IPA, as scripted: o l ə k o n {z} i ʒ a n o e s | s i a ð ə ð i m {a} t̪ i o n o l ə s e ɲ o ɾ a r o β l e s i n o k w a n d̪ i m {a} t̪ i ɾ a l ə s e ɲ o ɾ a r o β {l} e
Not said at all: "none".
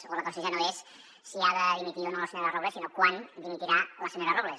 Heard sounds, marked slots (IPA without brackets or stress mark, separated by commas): s, i, i, l